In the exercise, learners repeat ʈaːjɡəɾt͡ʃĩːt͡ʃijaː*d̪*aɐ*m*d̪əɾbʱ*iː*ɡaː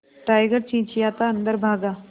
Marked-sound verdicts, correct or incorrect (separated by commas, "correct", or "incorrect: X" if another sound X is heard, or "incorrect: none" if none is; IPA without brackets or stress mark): incorrect: t̪, incorrect: n, incorrect: aː